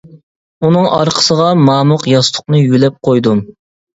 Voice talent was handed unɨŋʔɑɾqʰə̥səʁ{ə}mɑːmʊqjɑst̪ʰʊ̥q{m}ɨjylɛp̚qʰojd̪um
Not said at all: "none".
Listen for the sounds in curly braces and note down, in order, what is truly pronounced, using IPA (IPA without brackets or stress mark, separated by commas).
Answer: ɑ, n